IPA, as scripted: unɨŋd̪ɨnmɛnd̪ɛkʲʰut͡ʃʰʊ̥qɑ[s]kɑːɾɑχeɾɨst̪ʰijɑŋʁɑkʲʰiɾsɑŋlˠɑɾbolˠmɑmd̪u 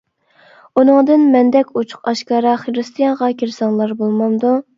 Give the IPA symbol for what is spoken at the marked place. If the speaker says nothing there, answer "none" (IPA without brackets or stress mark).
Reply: ʃ